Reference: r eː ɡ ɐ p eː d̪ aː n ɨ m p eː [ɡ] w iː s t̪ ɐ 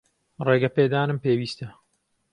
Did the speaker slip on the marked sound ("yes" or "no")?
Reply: yes